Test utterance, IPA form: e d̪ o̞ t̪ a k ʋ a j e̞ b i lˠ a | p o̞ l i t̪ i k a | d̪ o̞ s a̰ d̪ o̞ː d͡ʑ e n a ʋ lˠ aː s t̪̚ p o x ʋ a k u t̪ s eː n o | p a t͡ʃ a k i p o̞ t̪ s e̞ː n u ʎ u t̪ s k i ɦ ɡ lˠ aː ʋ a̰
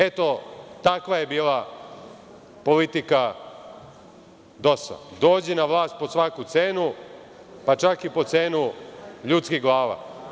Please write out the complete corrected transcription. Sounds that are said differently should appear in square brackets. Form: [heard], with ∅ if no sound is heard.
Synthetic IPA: e [t̪] o̞ t̪ a k ʋ a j e̞ b [iː] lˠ a | p o̞ l i t̪ i k a | d̪ o̞ s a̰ d̪ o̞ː d͡ʑ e n a ʋ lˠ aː s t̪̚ p o [s] ʋ a k u t̪ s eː n [u] | p a t͡ʃ a k i p o̞ t̪ s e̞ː n u ʎ u t̪ s k i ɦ ɡ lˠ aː ʋ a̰